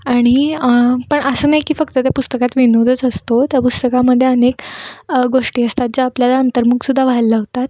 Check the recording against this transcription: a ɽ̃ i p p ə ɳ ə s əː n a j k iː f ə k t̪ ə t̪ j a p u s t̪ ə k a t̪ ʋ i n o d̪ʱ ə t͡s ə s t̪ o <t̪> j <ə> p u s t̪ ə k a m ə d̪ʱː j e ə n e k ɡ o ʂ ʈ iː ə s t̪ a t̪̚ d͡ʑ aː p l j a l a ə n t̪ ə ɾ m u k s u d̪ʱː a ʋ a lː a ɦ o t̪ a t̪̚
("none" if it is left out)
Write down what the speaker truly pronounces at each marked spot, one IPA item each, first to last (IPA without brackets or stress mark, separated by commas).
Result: t̪, a